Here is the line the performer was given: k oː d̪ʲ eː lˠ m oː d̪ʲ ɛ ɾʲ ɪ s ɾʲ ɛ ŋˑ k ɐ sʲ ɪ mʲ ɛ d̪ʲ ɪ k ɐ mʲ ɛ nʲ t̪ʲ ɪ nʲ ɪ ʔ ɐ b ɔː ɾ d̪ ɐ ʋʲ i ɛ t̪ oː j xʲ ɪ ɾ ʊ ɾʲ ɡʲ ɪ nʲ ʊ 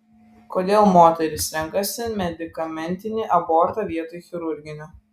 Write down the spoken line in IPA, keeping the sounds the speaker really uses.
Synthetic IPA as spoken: k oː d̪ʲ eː lˠ m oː t̪ʲ ɛ ɾʲ ɪ s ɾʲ ɛ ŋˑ k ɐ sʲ ɪ mʲ ɛ d̪ʲ ɪ k ɐ mʲ ɛ nʲ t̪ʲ ɪ nʲ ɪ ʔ ɐ b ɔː ɾ t̪ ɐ ʋʲ i ɛ t̪ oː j xʲ ɪ ɾ ʊ ɾʲ ɡʲ ɪ nʲ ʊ